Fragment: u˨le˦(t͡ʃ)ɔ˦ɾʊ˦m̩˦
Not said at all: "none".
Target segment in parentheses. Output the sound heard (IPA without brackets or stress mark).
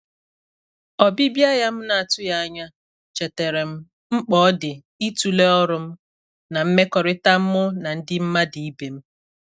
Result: none